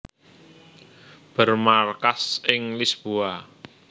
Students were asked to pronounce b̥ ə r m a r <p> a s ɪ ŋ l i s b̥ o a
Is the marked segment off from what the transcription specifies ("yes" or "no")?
yes